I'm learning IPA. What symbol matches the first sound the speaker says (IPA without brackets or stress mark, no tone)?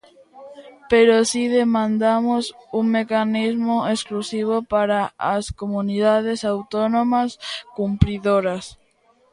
p